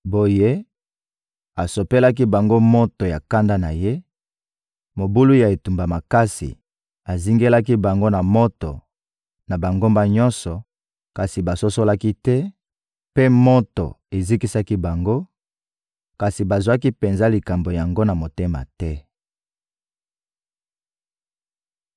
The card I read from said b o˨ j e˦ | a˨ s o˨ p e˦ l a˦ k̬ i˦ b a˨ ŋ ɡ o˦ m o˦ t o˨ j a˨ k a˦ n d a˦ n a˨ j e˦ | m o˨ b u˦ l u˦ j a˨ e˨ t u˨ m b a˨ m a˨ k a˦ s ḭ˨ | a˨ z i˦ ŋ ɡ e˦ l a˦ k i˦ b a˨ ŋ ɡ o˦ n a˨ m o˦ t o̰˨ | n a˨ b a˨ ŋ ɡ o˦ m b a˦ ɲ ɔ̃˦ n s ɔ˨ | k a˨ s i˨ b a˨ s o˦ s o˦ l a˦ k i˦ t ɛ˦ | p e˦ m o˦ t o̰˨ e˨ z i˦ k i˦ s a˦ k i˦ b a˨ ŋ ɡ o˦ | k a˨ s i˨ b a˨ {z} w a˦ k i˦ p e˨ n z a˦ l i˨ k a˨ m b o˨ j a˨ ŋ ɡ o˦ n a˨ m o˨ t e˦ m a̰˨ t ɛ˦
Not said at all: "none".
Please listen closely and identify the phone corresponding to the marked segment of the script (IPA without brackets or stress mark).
z